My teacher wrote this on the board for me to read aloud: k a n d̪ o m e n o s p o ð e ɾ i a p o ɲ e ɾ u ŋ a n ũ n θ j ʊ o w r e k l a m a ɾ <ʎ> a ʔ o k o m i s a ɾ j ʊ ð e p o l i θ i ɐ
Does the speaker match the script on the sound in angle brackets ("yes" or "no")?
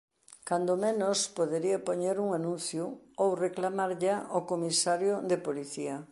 yes